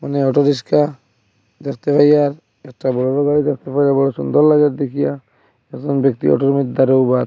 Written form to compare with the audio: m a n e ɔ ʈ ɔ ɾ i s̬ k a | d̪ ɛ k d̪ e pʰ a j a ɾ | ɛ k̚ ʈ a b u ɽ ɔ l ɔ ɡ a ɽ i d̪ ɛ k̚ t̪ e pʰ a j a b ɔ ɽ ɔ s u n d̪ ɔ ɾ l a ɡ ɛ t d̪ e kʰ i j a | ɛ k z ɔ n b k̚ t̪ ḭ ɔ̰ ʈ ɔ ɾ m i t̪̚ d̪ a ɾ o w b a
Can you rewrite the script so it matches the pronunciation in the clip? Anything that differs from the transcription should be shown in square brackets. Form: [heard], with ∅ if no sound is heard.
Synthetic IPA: m a n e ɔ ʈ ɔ ɾ i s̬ k a | d̪ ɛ k [t̪] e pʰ a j a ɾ | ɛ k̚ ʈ a b [ɔ] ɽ ɔ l ɔ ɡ a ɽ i d̪ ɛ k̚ t̪ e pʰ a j a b ɔ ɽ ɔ s u n d̪ ɔ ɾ l a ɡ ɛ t d̪ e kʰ i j a | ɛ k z ɔ n b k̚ t̪ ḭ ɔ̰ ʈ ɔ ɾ m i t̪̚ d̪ a ɾ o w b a